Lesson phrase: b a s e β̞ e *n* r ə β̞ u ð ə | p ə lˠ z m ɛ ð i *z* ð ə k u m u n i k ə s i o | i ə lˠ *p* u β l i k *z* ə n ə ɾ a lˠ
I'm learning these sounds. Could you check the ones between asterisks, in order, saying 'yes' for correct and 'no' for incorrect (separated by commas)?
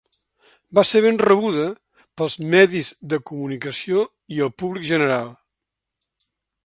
yes, yes, yes, no